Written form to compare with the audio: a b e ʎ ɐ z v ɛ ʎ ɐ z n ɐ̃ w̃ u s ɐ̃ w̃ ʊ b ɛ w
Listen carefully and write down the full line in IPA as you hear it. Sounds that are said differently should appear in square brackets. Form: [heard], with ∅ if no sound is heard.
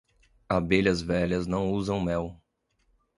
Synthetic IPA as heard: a b e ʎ ɐ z v ɛ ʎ ɐ z n ɐ̃ w̃ u [z] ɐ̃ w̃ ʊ [m] ɛ w